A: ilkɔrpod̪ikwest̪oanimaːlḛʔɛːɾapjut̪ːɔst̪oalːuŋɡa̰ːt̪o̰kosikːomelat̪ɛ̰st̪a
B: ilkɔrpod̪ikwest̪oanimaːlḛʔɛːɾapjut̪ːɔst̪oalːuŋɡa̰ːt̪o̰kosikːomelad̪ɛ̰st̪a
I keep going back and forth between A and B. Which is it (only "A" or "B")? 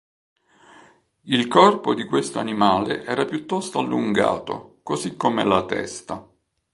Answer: A